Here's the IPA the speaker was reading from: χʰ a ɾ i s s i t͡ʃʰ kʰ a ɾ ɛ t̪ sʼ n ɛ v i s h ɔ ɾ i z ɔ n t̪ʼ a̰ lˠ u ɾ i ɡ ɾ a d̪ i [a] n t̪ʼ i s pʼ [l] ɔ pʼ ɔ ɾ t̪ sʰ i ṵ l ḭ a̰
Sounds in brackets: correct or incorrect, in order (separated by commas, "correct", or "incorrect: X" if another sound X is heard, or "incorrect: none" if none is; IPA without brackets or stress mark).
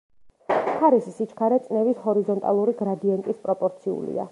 incorrect: ɛ, incorrect: ɾ